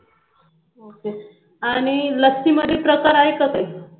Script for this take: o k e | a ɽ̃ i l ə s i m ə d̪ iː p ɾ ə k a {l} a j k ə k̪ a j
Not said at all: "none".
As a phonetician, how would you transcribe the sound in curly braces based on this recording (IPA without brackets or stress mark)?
ɾ